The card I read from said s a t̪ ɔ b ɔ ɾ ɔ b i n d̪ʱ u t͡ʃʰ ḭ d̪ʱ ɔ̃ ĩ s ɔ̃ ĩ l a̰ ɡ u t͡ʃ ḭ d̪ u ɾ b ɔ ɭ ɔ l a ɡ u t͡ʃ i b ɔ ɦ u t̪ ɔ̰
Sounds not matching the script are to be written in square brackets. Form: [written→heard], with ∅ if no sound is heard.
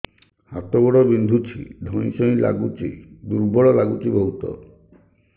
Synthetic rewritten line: [s→h] a t̪ ɔ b ɔ [ɾ→ɽ] ɔ b i n d̪ʱ u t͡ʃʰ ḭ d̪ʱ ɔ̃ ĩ s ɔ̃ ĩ l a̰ ɡ u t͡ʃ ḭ d̪ u ɾ b ɔ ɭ ɔ l a ɡ u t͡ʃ i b ɔ ɦ u t̪ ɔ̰